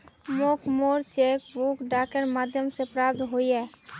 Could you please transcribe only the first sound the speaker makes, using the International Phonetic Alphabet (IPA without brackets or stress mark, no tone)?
m